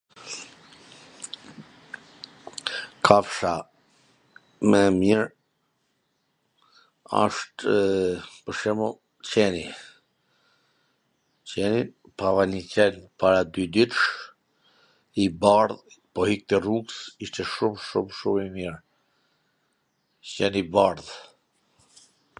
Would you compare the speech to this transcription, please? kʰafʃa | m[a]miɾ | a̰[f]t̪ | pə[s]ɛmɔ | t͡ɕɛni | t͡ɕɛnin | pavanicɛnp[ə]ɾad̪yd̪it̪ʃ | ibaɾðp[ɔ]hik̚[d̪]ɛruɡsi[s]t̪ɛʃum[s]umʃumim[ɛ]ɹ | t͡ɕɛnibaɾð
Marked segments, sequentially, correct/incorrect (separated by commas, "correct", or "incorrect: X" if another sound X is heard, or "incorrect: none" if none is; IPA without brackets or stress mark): incorrect: ɛ, incorrect: ʃ, incorrect: ʃ, incorrect: a, correct, incorrect: t̪, incorrect: ʃ, incorrect: ʃ, incorrect: i